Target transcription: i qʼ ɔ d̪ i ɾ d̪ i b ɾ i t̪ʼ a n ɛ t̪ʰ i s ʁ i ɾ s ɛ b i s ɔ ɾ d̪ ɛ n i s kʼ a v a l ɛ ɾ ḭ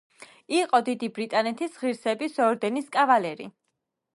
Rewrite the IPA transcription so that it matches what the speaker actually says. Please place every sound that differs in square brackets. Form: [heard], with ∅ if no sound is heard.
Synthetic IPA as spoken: i qʼ ɔ d̪ i [∅] d̪ i b ɾ i t̪ʼ a n ɛ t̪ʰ i s ʁ i ɾ s ɛ b i s ɔ ɾ d̪ ɛ n i s kʼ a v a l ɛ ɾ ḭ